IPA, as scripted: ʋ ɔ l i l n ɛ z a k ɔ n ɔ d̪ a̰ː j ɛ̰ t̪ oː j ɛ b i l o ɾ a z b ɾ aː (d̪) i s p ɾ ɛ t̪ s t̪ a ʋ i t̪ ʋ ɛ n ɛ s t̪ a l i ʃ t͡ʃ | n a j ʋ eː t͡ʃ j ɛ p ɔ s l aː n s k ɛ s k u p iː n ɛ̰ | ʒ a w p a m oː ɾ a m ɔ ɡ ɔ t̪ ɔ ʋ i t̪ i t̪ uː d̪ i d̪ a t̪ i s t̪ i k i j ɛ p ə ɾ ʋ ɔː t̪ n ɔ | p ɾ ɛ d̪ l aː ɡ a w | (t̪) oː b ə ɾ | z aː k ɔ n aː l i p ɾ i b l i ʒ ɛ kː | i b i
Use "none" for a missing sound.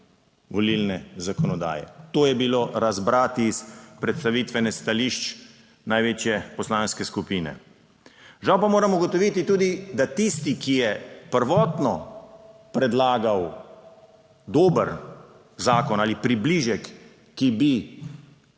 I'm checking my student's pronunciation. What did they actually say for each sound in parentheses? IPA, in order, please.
t̪, d̪

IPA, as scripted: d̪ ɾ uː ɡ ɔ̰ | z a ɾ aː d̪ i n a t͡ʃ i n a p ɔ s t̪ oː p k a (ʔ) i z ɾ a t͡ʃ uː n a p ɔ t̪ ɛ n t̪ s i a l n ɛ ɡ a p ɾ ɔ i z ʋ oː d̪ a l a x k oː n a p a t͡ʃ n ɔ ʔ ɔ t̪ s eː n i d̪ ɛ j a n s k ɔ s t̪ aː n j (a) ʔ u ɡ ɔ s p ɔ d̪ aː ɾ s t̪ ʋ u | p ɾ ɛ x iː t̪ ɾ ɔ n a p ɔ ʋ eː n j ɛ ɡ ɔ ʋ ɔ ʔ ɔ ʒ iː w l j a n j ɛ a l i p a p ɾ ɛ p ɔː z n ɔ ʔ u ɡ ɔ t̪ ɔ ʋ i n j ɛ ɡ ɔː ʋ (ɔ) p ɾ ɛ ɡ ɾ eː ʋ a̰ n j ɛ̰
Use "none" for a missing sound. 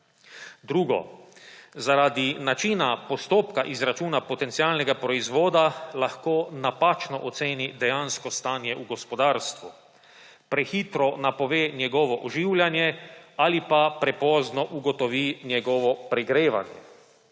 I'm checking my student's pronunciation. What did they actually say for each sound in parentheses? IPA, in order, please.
ʔ, ɛ, ɔ

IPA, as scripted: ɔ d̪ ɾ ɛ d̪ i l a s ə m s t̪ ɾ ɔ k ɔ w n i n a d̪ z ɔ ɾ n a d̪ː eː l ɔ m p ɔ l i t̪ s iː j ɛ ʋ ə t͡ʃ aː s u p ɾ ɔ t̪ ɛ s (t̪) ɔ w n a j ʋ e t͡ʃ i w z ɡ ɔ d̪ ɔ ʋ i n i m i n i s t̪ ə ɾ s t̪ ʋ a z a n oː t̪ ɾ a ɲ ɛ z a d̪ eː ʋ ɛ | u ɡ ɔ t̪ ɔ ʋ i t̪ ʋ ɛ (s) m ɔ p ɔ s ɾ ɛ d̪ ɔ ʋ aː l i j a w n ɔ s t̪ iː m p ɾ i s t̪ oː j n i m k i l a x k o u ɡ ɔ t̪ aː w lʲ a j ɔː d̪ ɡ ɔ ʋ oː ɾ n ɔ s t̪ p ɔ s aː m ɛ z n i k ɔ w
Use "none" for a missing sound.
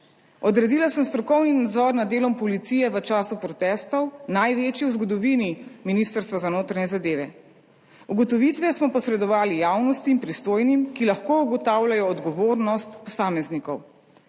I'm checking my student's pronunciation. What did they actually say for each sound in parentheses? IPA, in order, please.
t̪, s

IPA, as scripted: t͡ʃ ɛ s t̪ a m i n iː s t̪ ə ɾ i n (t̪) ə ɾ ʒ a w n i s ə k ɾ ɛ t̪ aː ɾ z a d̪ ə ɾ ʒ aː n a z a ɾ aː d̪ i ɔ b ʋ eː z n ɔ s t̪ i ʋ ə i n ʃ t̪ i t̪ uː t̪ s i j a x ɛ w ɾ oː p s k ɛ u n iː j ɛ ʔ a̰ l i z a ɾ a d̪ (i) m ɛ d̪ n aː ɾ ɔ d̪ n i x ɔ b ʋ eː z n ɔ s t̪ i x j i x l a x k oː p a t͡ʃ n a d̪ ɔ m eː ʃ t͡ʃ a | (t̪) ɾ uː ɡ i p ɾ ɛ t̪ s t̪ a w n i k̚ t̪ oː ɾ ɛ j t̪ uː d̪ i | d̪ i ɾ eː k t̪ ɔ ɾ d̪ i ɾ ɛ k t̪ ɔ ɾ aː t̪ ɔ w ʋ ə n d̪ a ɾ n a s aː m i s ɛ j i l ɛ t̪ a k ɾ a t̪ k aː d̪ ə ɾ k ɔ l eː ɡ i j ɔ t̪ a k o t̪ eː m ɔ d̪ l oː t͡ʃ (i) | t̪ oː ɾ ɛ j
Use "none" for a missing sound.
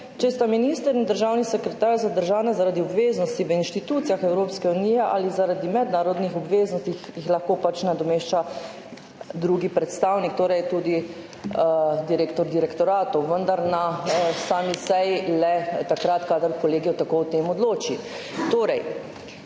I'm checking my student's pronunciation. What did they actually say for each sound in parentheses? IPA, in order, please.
d̪, i, d̪, i

